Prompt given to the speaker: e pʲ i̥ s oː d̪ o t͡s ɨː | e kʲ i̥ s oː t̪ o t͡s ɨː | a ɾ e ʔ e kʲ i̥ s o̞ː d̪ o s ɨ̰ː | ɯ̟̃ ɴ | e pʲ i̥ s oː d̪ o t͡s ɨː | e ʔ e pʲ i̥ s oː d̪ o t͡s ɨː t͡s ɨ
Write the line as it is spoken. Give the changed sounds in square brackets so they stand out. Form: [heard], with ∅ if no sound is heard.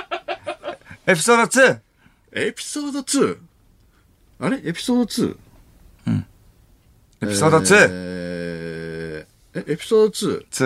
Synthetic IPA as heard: e pʲ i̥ s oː d̪ o t͡s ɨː | e [pʲ] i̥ s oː [d̪] o t͡s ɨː | a ɾ e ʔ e [pʲ] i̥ s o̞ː d̪ o [t͡s] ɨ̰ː | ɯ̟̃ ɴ | e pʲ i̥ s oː d̪ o t͡s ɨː | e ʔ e pʲ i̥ s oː d̪ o t͡s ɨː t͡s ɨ